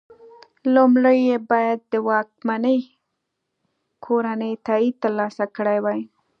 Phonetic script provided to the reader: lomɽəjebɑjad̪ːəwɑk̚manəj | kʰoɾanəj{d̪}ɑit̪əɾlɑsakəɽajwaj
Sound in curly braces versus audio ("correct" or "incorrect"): incorrect